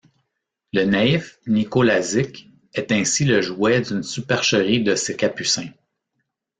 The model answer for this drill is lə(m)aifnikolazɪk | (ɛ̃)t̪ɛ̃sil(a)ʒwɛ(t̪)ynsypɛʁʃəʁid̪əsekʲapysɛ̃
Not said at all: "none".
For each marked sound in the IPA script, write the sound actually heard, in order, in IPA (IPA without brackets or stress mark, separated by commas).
n, ɛ, ə, d̪